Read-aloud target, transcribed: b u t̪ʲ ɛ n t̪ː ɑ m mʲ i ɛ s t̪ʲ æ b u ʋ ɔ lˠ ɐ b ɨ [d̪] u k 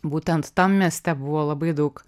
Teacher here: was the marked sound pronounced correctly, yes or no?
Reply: yes